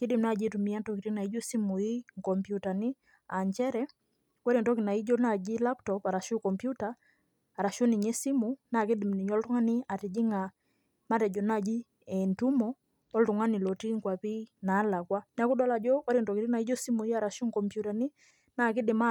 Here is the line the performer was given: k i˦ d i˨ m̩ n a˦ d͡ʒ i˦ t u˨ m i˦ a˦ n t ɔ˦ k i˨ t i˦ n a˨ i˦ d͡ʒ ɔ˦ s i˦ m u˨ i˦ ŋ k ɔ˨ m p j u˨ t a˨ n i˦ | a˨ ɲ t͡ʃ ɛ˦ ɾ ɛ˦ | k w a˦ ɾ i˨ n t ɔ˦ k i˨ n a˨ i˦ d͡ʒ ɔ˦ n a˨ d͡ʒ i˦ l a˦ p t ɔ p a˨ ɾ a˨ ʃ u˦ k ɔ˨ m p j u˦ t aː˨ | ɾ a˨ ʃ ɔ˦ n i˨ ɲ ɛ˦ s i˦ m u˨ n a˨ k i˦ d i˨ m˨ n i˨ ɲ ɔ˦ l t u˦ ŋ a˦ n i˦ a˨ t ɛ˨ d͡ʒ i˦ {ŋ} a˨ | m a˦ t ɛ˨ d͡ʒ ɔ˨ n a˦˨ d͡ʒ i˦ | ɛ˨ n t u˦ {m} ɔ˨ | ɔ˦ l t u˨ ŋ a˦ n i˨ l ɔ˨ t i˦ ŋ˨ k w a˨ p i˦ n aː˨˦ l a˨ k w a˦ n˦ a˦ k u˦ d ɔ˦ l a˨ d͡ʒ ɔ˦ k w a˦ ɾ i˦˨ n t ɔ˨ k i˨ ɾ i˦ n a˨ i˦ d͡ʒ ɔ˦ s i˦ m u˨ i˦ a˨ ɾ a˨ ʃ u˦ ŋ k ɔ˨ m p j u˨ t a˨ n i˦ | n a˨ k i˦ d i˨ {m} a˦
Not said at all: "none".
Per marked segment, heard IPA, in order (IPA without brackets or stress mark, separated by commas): ŋ, m, m